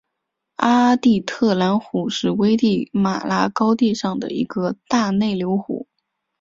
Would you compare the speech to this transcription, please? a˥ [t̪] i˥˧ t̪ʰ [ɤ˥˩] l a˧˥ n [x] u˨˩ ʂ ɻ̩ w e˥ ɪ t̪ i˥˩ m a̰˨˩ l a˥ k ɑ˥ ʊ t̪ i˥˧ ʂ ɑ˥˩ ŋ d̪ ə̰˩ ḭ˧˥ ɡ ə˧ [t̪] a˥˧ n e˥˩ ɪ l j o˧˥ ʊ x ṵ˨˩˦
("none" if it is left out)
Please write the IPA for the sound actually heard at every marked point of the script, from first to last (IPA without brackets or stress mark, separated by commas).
t̪, ɤ˥˩, x, t̪